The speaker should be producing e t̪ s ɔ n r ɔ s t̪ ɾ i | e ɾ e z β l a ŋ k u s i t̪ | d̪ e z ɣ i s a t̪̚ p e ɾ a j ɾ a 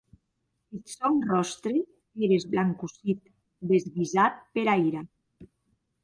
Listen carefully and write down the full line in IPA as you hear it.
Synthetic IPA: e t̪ s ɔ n r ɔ s t̪ ɾ e | e ɾ e z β l a ŋ k u s i t̪ | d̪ e z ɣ i z a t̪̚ p e ɾ a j ɾ a